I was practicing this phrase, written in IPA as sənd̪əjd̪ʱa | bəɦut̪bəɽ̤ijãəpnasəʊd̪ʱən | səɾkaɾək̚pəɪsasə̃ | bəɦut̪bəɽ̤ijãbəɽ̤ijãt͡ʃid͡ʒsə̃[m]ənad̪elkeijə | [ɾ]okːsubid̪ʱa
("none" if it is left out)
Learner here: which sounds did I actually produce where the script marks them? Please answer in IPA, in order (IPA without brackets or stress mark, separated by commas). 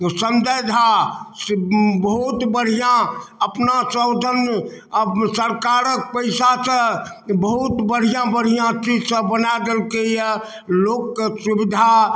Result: b, l